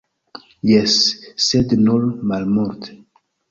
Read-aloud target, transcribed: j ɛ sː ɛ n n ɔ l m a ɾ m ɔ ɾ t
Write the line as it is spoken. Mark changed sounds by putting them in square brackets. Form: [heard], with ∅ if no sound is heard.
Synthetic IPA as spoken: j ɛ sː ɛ [d] n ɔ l m a [l] m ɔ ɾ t